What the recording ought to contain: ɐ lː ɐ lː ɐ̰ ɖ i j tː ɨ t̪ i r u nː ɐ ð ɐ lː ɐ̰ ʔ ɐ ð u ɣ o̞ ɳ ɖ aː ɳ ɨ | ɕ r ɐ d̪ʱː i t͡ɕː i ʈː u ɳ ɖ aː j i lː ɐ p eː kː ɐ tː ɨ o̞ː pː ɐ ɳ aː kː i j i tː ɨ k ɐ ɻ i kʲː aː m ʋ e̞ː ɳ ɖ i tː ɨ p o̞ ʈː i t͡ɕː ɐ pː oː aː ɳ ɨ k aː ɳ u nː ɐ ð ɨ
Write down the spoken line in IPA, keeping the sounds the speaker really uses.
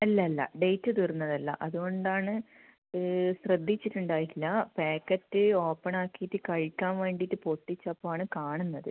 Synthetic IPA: ɐ lː ɐ lː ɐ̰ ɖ e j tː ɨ t̪ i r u nː ɐ ð ɐ lː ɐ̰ ʔ ɐ ð u ɣ o̞ ɳ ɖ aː ɳ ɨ | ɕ r ɐ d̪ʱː i t͡ɕː i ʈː u ɳ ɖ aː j i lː ɐ p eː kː ɐ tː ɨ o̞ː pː ɐ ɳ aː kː i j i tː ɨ k ɐ ɻ i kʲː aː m ʋ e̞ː ɳ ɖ i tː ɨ p o̞ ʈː i t͡ɕː ɐ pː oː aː ɳ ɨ k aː ɳ u nː ɐ ð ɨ